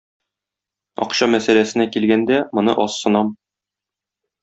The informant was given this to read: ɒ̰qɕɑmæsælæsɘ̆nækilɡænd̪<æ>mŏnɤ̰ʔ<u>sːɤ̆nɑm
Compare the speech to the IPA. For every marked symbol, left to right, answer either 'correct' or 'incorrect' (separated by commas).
correct, incorrect